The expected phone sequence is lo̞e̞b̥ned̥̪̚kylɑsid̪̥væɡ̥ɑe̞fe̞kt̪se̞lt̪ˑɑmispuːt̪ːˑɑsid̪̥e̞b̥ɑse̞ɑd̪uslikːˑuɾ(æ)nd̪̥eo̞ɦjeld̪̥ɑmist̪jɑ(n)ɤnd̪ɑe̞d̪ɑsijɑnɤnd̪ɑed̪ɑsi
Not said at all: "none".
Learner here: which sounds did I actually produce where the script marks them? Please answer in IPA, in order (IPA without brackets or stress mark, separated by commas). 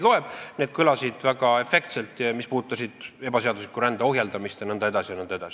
æ, n